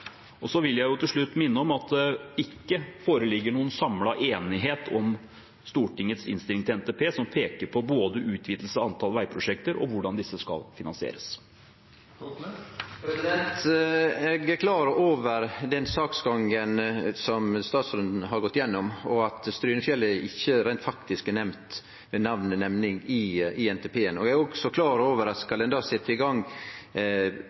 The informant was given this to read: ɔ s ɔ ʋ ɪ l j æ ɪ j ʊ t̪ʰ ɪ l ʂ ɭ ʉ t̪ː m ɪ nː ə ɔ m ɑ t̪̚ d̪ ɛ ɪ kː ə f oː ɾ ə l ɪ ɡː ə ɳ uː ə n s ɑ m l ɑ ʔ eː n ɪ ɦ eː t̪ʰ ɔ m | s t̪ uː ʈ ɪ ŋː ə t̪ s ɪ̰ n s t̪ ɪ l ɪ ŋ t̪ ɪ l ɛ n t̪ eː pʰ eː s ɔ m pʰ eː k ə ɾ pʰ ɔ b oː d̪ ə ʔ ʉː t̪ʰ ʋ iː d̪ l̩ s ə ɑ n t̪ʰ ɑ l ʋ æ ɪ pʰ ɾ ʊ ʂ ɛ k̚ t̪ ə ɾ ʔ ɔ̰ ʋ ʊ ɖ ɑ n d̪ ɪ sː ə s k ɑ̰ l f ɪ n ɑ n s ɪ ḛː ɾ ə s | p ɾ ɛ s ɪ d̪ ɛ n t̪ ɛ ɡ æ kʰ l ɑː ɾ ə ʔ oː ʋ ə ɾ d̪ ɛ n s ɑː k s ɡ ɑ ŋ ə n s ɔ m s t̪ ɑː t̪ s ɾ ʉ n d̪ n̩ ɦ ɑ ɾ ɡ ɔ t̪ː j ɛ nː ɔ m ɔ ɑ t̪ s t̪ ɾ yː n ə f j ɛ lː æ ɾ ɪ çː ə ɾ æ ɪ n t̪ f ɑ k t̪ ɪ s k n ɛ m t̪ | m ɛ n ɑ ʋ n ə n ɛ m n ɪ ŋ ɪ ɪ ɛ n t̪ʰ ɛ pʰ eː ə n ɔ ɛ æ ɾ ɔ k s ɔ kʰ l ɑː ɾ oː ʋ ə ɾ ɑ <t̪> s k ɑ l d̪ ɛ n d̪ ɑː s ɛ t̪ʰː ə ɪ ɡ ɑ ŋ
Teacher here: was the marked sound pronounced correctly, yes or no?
yes